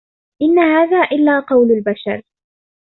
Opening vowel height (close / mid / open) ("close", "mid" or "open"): close